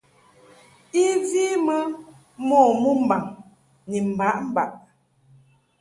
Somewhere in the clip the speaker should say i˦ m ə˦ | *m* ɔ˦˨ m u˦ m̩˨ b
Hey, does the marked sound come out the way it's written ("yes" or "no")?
yes